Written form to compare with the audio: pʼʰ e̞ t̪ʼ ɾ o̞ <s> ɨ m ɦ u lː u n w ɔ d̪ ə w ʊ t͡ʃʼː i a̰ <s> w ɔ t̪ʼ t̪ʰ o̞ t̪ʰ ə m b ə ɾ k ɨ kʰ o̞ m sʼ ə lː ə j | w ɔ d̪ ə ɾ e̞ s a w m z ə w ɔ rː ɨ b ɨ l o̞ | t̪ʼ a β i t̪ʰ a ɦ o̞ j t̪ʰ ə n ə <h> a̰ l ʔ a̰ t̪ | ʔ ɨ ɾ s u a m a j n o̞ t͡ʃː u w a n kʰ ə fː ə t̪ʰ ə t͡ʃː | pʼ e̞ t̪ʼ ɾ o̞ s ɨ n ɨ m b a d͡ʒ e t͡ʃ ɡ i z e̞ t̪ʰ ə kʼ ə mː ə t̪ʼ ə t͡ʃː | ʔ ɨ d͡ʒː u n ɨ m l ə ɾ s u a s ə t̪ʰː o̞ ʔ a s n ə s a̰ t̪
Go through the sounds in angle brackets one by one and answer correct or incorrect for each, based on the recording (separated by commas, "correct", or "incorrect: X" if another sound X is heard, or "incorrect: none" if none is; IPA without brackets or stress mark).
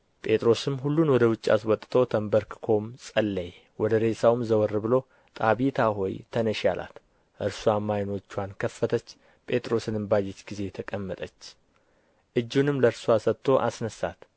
correct, correct, incorrect: ʃ